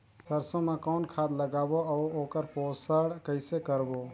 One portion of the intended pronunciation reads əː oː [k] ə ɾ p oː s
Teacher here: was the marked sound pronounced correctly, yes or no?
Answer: yes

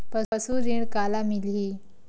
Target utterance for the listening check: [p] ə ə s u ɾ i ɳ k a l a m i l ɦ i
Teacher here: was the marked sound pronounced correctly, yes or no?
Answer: yes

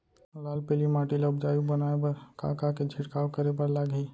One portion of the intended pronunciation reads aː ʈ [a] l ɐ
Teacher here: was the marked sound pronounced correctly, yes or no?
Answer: no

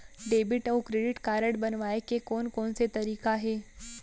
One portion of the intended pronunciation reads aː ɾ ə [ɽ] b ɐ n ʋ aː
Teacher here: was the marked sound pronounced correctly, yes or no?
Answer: yes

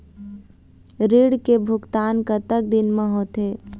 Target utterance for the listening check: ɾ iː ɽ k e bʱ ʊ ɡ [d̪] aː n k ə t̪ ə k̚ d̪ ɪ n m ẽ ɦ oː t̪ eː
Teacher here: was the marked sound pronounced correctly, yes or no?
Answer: no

